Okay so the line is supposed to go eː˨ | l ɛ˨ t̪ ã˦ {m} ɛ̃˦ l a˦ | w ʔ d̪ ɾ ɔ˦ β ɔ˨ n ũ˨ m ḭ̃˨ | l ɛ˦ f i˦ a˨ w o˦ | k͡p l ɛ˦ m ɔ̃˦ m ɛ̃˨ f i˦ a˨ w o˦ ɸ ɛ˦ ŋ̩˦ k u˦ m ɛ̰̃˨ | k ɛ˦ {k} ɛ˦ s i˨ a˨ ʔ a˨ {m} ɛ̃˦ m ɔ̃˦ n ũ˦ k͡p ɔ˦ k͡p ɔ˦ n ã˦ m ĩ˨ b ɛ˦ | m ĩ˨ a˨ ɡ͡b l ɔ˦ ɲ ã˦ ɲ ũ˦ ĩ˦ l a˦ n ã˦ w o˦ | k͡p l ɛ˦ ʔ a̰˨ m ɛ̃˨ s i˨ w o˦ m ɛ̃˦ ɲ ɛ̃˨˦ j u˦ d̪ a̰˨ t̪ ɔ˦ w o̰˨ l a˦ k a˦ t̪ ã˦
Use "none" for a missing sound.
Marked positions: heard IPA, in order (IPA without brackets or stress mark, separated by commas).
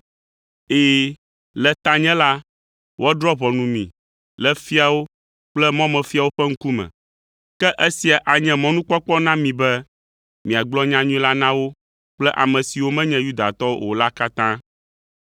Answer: ɲ, ʔ, ɲ